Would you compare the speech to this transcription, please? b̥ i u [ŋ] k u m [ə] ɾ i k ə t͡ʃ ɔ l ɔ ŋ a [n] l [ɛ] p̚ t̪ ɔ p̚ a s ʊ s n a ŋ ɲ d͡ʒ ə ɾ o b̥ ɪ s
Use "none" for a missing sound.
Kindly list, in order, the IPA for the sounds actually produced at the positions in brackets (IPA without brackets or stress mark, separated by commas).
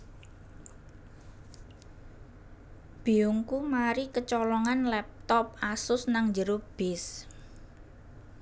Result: ŋ, a, n, ɛ